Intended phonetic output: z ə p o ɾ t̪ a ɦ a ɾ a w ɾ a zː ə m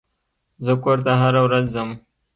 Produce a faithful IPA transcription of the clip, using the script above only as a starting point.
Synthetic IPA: z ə k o ɾ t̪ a ɦ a ɾ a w ɾ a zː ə m